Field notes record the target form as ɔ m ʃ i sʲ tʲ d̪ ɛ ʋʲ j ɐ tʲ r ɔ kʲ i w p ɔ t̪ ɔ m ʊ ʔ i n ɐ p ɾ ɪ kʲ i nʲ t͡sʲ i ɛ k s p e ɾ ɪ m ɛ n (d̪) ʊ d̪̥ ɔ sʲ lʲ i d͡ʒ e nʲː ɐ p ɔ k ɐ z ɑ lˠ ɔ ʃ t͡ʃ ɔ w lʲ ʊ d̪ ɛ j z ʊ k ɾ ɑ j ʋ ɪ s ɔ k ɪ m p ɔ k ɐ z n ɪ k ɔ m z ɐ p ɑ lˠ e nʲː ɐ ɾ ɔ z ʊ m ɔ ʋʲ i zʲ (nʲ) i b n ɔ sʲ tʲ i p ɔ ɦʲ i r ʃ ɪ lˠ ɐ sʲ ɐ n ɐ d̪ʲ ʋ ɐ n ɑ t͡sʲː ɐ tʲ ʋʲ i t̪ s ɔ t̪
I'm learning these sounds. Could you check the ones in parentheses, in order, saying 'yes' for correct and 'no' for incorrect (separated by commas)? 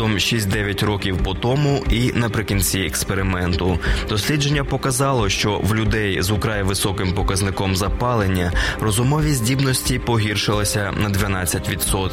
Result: no, no